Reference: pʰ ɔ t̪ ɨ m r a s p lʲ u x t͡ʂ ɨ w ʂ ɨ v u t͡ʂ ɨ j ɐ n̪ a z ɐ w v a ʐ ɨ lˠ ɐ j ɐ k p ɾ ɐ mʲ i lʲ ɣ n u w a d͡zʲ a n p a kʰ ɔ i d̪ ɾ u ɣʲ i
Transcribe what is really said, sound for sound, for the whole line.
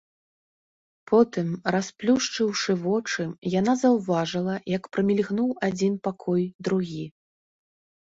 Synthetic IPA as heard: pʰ ɔ t̪ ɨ m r a s p lʲ u ʂ t͡ʂ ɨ w ʂ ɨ v ɔ t͡ʂ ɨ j a n̪ a z ɐ w v a ʐ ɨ lˠ ɐ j ɐ k p ɾ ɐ mʲ i lʲ ɣ n u w a d͡zʲ i n p a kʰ ɔ j d̪ ɾ u ɣʲ i